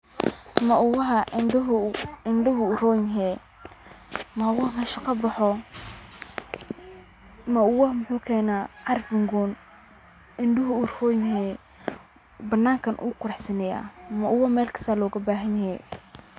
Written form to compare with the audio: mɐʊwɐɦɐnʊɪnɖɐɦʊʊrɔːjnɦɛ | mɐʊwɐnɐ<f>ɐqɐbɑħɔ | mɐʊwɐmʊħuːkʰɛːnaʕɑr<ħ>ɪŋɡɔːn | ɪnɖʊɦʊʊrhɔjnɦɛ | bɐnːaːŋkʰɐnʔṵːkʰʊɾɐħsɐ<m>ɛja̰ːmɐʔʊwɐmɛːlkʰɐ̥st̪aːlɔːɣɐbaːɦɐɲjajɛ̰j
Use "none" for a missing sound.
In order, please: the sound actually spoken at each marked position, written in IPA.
ʃ, f, n

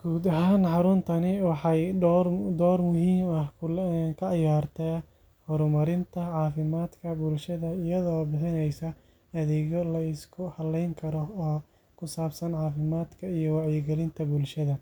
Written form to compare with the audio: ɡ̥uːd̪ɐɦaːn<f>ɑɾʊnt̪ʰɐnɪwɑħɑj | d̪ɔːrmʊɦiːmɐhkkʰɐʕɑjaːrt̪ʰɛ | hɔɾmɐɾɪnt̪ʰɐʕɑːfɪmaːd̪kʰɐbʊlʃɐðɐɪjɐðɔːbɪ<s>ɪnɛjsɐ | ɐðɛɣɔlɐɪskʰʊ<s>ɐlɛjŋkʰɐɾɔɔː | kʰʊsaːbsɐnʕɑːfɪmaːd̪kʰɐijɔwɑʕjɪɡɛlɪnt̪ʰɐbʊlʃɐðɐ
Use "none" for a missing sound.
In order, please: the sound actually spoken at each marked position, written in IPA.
ħ, ħ, h

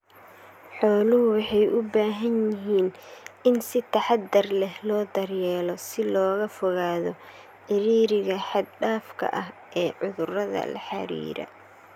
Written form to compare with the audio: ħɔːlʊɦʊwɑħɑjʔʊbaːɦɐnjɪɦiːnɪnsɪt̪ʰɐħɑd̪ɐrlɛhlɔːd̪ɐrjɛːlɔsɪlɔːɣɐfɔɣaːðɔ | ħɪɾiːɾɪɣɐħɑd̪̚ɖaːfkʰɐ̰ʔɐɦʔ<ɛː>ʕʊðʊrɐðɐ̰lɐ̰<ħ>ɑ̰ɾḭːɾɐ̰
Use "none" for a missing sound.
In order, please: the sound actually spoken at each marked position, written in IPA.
ɛː, ħ

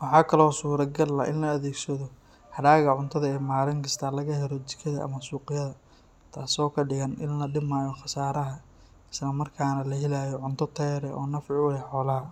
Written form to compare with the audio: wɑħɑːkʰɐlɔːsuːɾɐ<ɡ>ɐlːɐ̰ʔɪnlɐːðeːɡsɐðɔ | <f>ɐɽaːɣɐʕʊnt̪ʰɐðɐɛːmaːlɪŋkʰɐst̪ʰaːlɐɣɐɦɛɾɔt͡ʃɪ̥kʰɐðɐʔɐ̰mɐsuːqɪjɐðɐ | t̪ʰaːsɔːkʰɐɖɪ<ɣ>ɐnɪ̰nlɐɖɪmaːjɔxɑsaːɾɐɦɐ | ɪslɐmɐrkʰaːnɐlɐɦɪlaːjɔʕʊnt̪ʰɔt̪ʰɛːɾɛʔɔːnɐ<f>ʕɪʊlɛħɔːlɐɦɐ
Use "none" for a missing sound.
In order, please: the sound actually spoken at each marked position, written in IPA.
ɡ, h, ɣ, f

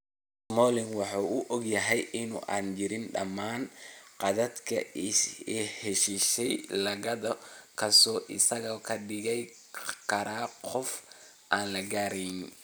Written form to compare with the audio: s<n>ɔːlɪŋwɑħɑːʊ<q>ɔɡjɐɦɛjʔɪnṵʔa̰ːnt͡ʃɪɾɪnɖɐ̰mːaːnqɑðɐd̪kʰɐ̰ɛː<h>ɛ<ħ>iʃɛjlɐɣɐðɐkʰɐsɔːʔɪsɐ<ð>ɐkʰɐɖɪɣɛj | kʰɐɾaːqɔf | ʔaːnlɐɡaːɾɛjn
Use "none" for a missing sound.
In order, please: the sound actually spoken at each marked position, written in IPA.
m, ʔ, h, ʃ, ɣ

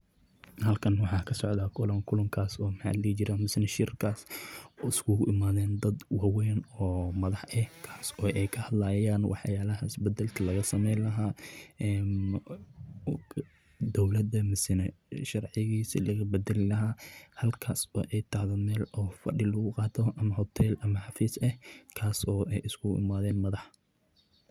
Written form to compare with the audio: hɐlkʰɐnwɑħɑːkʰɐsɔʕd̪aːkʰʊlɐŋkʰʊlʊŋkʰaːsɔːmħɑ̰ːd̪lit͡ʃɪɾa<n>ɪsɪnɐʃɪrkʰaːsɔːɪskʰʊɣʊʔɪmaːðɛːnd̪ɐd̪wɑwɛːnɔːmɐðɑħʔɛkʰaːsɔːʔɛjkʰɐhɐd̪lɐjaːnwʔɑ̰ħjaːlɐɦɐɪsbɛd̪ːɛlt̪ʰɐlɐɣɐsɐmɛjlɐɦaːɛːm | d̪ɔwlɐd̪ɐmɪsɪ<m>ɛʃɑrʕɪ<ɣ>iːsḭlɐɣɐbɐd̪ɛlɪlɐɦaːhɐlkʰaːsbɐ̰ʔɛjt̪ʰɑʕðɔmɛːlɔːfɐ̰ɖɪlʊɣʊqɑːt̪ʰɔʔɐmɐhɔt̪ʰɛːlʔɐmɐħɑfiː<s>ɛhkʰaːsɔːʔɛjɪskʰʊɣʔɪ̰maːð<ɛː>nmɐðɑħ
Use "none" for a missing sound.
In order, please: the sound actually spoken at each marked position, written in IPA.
m, n, ɣ, s, ɛː

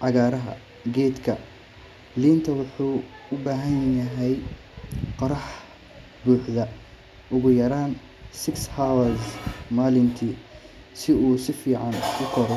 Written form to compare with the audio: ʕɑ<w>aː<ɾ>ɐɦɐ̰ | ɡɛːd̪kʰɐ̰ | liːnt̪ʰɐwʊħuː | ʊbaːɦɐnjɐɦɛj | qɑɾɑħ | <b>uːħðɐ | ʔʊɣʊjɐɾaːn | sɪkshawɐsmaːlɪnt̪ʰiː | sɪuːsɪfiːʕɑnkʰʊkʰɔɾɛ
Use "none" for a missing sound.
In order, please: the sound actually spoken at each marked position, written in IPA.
ɣ, ɾ, b

